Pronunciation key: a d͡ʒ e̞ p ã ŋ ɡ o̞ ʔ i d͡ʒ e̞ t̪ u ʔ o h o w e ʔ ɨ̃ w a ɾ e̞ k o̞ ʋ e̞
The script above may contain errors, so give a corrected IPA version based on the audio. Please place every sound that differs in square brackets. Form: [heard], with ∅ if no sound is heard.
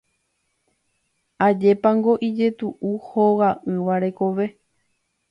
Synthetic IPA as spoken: a d͡ʒ e̞ p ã ŋ ɡ o̞ ʔ i d͡ʒ e̞ t̪ u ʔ [u] h o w [a] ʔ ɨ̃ [ʋ] a ɾ e̞ k o̞ ʋ e̞